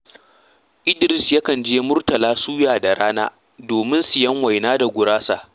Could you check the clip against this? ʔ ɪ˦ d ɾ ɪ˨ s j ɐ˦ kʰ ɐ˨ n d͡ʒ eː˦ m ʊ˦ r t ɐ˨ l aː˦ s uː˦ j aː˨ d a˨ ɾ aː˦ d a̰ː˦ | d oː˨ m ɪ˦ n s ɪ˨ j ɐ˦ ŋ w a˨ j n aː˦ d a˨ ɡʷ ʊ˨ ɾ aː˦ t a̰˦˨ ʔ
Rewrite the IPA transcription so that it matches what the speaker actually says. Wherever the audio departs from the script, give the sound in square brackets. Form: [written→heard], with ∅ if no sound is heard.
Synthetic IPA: ʔ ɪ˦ d ɾ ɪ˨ s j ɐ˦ [kʰ→k] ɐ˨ n d͡ʒ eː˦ m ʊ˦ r t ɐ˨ l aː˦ s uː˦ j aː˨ d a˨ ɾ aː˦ [d→n] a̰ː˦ | d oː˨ m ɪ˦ n s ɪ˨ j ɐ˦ ŋ w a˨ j n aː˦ d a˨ ɡʷ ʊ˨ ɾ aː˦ [t→s] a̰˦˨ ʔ